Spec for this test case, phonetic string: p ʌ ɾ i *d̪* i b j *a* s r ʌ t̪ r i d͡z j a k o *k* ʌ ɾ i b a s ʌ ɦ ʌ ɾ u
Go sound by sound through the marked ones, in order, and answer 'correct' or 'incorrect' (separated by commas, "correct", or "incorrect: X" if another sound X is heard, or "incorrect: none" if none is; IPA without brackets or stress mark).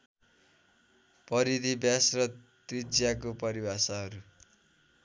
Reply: correct, correct, incorrect: p